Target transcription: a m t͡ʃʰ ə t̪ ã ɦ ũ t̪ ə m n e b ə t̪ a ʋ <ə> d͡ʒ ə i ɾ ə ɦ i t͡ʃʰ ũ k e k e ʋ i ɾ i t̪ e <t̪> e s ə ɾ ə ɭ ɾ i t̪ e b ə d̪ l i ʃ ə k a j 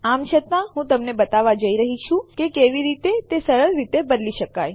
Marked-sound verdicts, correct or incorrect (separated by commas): incorrect, correct